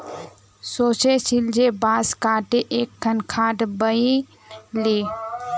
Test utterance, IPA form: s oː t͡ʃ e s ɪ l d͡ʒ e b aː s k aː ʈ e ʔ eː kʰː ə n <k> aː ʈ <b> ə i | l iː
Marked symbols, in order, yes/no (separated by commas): no, yes